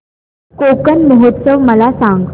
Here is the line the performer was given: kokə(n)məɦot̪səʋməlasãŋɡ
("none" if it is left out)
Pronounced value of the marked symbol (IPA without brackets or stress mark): n